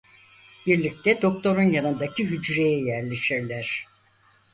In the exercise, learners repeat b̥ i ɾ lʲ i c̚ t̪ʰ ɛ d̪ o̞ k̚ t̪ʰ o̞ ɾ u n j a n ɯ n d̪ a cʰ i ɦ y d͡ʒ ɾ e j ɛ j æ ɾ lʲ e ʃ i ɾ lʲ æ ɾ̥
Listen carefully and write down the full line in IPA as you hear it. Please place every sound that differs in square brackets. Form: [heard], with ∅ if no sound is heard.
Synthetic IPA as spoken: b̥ i ɾ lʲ i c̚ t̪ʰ ɛ d̪ o̞ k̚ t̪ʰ o̞ ɾ u n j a n ɯ n d̪ a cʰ i ɦ y d͡ʒ ɾ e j ɛ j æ ɾ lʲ e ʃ i ɾ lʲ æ ɾ̥